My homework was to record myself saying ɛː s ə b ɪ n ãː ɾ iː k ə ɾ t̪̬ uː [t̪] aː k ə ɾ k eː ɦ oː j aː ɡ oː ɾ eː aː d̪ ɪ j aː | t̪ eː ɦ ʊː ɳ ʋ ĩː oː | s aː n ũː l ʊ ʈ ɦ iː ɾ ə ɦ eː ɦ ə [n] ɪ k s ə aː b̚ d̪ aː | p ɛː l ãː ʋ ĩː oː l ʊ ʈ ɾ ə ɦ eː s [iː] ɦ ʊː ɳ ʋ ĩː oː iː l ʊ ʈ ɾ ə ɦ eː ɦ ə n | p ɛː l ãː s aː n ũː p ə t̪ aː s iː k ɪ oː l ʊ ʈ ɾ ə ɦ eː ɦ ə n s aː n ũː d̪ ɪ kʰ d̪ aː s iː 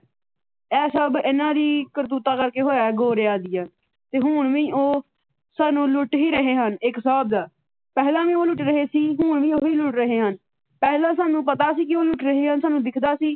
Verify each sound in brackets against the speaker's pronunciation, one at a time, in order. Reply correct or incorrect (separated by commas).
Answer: correct, correct, correct